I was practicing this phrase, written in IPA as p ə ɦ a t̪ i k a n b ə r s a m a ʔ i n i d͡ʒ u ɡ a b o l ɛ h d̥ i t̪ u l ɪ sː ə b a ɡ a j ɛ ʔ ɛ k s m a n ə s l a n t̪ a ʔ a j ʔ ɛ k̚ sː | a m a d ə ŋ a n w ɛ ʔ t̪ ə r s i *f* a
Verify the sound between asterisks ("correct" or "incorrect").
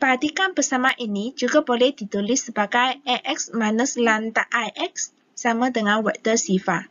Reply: correct